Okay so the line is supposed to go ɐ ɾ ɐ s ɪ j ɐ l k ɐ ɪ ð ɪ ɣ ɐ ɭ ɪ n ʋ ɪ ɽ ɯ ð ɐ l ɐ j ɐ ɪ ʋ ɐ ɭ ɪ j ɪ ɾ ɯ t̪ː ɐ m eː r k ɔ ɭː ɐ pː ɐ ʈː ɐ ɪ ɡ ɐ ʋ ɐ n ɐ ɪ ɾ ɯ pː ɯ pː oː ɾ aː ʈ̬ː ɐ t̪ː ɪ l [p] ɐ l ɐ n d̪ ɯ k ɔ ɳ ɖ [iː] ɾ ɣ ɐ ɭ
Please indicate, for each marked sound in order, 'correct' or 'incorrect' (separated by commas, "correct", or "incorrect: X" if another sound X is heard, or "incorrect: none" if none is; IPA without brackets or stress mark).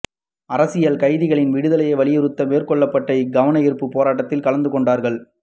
incorrect: k, incorrect: aː